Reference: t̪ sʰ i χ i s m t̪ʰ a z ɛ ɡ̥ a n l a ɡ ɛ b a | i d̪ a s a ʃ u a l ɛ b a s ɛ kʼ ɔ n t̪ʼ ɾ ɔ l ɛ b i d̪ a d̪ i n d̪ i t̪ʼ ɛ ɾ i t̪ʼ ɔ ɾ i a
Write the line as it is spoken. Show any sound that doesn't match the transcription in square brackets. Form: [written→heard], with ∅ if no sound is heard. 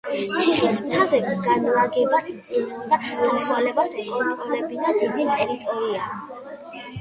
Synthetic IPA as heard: t̪ sʰ i χ i s m t̪ʰ a z ɛ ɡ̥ a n l a ɡ ɛ b a | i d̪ a s a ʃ u a l ɛ b a s ɛ kʼ ɔ n t̪ʼ ɾ ɔ l ɛ b i d̪ a d̪ i [n→∅] d̪ i t̪ʼ ɛ ɾ i t̪ʼ ɔ ɾ i a